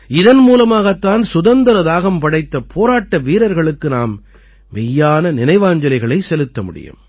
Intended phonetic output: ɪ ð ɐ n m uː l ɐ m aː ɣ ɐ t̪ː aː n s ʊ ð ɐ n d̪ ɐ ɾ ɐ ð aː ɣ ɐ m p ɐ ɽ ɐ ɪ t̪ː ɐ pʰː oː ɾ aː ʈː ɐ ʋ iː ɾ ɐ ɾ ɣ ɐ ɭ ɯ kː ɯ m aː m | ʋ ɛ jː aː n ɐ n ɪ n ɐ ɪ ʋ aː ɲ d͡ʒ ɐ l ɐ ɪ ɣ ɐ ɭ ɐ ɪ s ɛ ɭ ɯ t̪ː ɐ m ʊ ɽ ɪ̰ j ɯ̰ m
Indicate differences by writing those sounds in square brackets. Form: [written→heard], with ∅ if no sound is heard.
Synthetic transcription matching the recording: ɪ ð ɐ n m uː l ɐ m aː ɣ ɐ t̪ː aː n s ʊ ð ɐ n d̪ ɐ ɾ ɐ ð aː ɣ ɐ m p ɐ ɽ ɐ ɪ t̪ː ɐ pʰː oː ɾ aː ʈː ɐ ʋ iː ɾ ɐ ɾ ɣ ɐ ɭ ɯ kː ɯ [m→n] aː m | ʋ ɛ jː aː n ɐ n ɪ n ɐ ɪ ʋ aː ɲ d͡ʒ ɐ l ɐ ɪ ɣ ɐ ɭ ɐ ɪ s ɛ [ɭ→l] ɯ t̪ː ɐ m ʊ ɽ ɪ̰ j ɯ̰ m